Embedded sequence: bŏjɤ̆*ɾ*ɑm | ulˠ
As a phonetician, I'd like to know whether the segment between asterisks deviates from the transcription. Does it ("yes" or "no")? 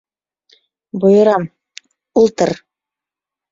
no